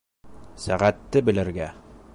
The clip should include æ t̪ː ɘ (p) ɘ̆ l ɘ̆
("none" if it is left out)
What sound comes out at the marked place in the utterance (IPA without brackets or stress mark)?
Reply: b